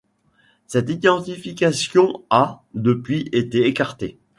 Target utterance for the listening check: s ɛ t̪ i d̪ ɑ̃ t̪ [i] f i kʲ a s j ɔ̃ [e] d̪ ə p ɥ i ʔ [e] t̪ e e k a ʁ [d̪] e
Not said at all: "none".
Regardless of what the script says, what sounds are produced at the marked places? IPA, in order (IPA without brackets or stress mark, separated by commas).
i, a, e, t̪